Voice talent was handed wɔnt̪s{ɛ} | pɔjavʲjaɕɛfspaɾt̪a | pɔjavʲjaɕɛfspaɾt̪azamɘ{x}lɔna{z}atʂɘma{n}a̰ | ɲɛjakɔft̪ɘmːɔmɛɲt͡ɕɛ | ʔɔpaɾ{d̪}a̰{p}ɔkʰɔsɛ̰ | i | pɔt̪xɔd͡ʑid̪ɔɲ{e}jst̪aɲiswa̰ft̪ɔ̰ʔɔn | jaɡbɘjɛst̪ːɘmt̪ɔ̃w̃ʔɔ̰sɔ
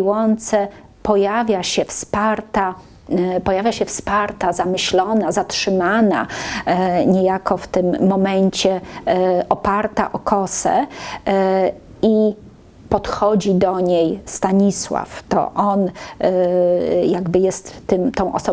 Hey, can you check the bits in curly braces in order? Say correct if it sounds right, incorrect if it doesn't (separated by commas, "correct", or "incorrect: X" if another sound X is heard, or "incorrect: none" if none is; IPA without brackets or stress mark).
correct, incorrect: ɕ, correct, correct, incorrect: t̪, incorrect: ʔ, correct